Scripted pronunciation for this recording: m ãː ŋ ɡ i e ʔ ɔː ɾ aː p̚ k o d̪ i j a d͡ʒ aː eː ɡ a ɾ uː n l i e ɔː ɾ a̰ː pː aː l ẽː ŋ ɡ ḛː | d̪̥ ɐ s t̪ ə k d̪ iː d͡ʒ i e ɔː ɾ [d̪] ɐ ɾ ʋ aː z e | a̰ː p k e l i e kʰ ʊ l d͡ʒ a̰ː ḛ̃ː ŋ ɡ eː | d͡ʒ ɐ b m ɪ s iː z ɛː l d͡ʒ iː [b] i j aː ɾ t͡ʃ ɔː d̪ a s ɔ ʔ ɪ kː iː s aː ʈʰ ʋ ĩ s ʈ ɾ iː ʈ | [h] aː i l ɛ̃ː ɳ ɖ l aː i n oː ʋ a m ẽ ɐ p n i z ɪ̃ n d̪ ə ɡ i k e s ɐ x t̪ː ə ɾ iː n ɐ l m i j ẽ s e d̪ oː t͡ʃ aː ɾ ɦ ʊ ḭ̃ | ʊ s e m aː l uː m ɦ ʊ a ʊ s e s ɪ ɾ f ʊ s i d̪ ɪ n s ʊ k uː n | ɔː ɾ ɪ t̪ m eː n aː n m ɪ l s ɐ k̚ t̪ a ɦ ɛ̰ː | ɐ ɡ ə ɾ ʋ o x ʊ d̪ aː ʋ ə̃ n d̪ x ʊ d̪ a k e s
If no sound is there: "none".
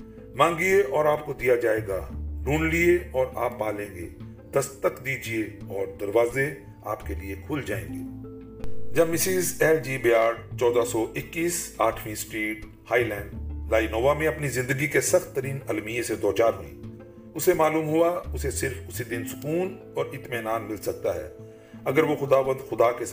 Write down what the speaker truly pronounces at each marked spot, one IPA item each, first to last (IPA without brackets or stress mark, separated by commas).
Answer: d̪, b, h